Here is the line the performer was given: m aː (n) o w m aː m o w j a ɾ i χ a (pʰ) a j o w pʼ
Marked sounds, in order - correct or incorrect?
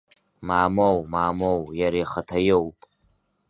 incorrect: m, incorrect: tʰ

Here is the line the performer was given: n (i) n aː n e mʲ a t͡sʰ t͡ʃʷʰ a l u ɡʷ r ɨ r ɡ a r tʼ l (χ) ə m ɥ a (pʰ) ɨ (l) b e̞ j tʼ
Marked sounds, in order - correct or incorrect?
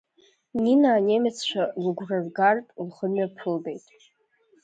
correct, correct, correct, correct

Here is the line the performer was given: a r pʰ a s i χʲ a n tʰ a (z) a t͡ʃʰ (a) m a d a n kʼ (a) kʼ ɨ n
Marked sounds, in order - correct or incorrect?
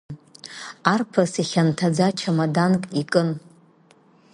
incorrect: d͡z, correct, incorrect: i

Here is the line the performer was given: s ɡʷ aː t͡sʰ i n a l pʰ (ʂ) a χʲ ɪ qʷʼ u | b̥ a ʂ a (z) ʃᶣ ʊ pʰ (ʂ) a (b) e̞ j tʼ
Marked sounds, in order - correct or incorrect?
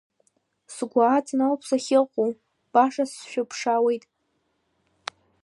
incorrect: s, incorrect: s, correct, incorrect: w

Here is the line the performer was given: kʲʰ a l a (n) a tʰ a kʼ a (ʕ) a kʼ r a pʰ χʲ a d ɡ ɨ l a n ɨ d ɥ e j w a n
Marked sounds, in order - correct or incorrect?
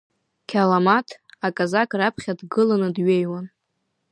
incorrect: m, incorrect: z

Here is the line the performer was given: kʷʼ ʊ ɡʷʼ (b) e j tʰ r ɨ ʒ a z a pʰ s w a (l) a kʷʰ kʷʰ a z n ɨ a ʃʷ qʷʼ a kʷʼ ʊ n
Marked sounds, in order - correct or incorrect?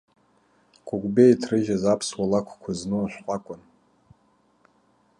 correct, correct

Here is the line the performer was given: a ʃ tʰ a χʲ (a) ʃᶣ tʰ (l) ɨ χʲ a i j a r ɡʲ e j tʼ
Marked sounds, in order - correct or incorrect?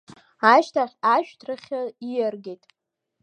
correct, incorrect: r

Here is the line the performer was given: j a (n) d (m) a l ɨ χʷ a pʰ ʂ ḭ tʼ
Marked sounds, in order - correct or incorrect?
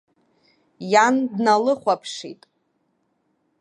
correct, incorrect: n

